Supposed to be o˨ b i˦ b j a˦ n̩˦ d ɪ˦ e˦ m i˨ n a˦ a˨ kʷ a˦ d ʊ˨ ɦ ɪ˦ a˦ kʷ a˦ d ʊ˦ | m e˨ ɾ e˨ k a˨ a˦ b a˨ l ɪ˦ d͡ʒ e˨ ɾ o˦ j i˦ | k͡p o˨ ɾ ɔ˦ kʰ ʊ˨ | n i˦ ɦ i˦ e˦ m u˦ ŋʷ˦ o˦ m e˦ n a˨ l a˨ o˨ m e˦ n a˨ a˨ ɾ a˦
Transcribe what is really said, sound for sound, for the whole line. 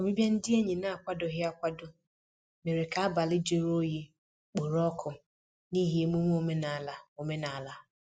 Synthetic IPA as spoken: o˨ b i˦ b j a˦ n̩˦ d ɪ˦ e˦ ɲ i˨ n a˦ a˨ kʷ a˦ d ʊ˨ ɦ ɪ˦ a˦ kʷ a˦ d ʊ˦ | m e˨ ɾ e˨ k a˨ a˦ b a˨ l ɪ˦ d͡ʒ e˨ ɾ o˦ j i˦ | k͡p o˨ ɾ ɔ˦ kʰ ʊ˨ | n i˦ ɦ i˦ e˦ m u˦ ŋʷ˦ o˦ m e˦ n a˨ l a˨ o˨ m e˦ n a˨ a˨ l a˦